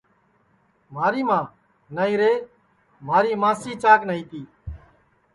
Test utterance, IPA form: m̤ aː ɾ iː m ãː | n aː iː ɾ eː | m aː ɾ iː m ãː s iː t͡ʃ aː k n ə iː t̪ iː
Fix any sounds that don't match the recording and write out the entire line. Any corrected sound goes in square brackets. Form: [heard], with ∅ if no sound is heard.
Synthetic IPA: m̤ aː ɾ iː m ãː | n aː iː ɾ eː | m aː ɾ iː m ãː s iː t͡ʃ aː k n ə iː t̪ iː